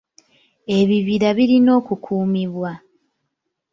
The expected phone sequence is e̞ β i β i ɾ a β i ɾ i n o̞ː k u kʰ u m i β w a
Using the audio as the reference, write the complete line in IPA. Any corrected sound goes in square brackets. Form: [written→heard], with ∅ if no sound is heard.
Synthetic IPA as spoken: e̞ β i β i ɾ a β i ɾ i n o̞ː k u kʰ [u→uː] m i β w a